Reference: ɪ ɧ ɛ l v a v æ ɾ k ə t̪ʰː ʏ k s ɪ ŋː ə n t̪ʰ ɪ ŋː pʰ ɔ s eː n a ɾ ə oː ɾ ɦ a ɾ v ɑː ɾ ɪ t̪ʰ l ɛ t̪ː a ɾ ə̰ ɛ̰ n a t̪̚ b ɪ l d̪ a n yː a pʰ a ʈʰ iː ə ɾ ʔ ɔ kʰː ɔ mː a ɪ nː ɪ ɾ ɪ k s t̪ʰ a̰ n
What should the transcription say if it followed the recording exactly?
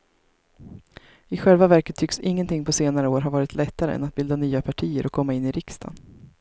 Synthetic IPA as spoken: ɪ ɧ ɛ l v a v æ ɾ k ə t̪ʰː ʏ k s ɪ ŋː ə n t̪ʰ ɪ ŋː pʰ ɔ s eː n a ɾ ə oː ɾ ɦ a ɾ v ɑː ɾ ɪ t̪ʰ l ɛ t̪ː a ɾ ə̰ ɛ̰ n a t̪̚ b ɪ l d̪ a n yː a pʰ a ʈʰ iː ə ɾ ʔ ɔ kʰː ɔ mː a ɪ nː ɪ ɾ ɪ k s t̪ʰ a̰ n